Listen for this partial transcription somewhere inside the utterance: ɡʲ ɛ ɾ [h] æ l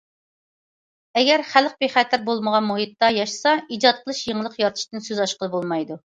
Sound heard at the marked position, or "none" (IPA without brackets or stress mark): χ